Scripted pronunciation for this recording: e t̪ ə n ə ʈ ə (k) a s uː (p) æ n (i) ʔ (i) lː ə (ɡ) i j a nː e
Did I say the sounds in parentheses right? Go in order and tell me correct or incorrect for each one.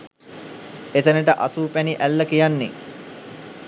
incorrect: ʔ, correct, correct, incorrect: æ, incorrect: k

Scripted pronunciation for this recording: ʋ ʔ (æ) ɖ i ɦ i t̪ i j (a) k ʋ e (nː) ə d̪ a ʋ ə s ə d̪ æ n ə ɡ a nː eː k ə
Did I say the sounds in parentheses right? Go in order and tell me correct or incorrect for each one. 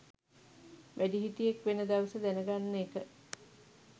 correct, incorrect: e, incorrect: n

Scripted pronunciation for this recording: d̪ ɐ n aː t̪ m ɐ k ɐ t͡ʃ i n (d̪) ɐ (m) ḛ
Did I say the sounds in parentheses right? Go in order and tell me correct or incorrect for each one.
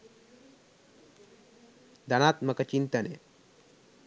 incorrect: t̪, incorrect: n

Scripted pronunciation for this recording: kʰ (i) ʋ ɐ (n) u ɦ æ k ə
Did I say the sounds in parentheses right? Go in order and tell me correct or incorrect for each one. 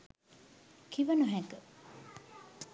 correct, correct

